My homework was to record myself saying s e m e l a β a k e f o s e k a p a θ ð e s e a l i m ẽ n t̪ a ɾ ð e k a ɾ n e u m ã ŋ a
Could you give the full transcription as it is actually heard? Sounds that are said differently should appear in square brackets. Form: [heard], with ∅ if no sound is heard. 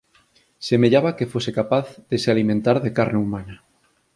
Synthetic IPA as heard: s e m e [ʎ] a β a k e f o s e k a p a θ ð e s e a l i m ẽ n t̪ a ɾ ð e k a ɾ n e u m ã [n] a